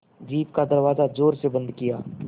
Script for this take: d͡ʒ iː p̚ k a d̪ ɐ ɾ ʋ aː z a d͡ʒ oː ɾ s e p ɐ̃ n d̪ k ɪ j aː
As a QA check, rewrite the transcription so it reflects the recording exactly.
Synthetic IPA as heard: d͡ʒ iː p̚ k a d̪ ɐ ɾ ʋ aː z a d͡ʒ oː ɾ s e b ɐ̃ n d̪ k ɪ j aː